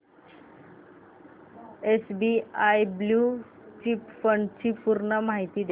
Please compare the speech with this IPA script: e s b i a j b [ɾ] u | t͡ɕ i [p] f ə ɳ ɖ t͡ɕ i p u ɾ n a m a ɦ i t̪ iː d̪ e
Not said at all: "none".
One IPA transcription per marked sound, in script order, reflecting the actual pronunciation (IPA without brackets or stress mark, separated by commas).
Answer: l, p